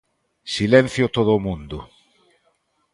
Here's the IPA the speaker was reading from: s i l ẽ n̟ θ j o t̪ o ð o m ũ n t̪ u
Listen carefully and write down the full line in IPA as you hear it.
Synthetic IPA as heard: s i l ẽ n̟ θ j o t̪ o ð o m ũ n d̪ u